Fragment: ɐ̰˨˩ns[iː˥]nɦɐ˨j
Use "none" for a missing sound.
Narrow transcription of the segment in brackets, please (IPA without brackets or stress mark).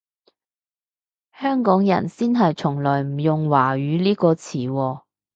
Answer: iː˥